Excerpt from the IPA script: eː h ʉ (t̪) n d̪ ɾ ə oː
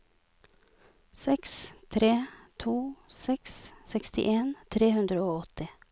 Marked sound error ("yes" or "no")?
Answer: yes